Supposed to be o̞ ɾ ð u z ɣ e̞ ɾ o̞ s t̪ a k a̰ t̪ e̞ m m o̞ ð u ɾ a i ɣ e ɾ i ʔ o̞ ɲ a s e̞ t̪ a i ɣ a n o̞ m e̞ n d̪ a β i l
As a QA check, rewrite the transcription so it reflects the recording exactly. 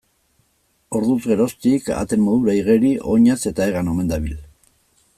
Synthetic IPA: o̞ ɾ ð u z ɣ e̞ ɾ o̞ s t̪ i k a̰ t̪ e̞ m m o̞ ð u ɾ a i ɣ e ɾ i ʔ o̞ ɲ a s e̞ t̪ a e ɣ a n o̞ m e̞ n d̪ a β i l

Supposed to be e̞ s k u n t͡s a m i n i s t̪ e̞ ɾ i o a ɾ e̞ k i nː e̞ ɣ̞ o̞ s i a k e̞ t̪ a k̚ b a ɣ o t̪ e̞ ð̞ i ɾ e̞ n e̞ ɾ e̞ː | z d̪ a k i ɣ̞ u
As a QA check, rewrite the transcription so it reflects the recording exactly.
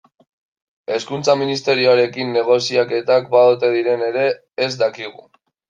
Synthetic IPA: e̞ s k u n t͡s a m i n i s t̪ e̞ ɾ i o a ɾ e̞ k i nː e̞ ɣ̞ o̞ s i a k e̞ t̪ a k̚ b a ð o t̪ e̞ ð̞ i ɾ e̞ n e̞ ɾ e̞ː | z d̪ a k i ɣ̞ u

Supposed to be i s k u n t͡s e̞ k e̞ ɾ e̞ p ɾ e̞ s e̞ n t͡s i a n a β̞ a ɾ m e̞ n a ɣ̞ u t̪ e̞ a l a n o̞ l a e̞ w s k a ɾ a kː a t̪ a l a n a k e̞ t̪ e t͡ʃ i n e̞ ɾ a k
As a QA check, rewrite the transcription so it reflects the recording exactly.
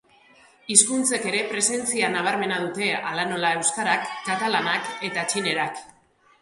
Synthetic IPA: i s k u n t͡s e̞ k e̞ ɾ e̞ p ɾ e̞ s e̞ n t͡s i a n a β̞ a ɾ m e̞ n a ð̞ u t̪ e̞ a l a n o̞ l a e̞ w s k a ɾ a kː a t̪ a l a n a k e̞ t̪ a t͡ʃ i n e̞ ɾ a k

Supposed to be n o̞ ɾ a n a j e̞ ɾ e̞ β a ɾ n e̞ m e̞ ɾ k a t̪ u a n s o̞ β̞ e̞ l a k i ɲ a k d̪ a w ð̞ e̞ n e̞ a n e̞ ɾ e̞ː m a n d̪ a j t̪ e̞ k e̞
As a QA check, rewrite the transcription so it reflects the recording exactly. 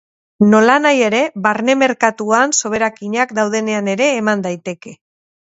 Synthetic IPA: n o̞ l a n a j e̞ ɾ e̞ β a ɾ n e̞ m e̞ ɾ k a t̪ u a n s o̞ β̞ e̞ ɾ a k i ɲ a k d̪ a w ð̞ e̞ n e̞ a n e̞ ɾ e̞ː m a n d̪ a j t̪ e̞ k e̞

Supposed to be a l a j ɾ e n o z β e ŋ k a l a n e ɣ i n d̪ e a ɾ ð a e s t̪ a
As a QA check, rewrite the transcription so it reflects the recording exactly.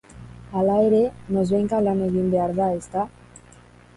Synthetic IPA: a l a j ɾ e n o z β e ŋ k a l a n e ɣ i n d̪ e a ɾ ð a e s t̪ a

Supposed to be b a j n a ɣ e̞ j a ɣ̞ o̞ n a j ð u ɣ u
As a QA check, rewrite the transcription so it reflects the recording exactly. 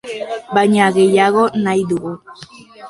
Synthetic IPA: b a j ɲ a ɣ e̞ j a ɣ̞ o̞ n a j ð u ɣ u

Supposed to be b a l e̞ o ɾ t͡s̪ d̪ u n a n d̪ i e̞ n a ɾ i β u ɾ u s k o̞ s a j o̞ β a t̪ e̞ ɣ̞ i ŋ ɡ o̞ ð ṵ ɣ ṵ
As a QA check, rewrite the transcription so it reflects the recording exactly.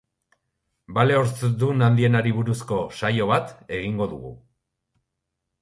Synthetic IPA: b a l e̞ o ɾ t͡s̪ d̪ u n a n d̪ i e̞ n a ɾ i β u ɾ u s k o̞ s a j o̞ β a t̪ e̞ ɣ̞ i ŋ ɡ o̞ ð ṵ ɣ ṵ

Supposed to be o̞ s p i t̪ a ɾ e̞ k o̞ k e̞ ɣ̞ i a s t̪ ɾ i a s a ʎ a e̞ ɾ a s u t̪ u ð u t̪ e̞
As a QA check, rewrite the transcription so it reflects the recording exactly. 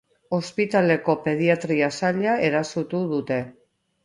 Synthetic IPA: o̞ s p i t̪ a l e̞ k o̞ p e̞ ð̞ i a t̪ ɾ i a s a ʎ a e̞ ɾ a s u t̪ u ð u t̪ e̞

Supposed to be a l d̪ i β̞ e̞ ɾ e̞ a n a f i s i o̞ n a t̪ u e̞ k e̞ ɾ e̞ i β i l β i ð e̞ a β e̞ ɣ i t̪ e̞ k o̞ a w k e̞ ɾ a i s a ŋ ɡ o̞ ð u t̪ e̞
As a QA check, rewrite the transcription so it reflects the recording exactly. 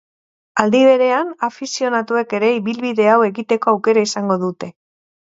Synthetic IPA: a l d̪ i β̞ e̞ ɾ e̞ a n a f i s i o̞ n a t̪ u e̞ k e̞ ɾ e̞ i β i l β i ð e̞ a w e̞ ɣ i t̪ e̞ k o̞ a w k e̞ ɾ a i s a ŋ ɡ o̞ ð u t̪ e̞

